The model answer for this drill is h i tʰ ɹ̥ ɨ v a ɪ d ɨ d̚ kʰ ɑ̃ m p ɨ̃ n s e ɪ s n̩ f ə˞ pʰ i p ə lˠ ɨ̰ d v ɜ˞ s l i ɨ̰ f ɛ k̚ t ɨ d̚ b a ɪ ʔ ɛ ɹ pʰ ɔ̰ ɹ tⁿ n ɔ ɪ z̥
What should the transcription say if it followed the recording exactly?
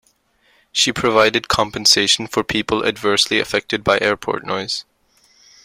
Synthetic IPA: ʃ i pʰ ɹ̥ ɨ v a ɪ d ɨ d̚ kʰ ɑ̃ m p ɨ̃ n s e ɪ ʃ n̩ f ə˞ pʰ i p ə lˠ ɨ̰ d v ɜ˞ s l i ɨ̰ f ɛ k̚ t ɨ d̚ b a ɪ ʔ ɛ ɹ pʰ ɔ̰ ɹ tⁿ n ɔ ɪ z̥